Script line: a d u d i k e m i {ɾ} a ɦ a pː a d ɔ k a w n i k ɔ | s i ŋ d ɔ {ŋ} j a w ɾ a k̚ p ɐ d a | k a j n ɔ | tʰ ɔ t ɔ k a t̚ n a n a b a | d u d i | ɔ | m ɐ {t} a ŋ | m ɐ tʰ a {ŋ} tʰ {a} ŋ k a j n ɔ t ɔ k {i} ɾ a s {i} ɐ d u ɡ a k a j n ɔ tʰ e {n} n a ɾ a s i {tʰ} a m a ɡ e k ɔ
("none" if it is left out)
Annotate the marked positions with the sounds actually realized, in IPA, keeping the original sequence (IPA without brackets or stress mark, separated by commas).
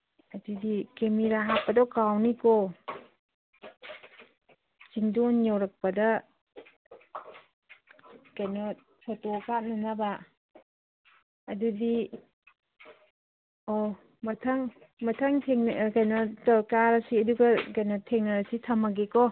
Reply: ɾ, n, tʰ, ŋ, e, a, i, ŋ, tʰ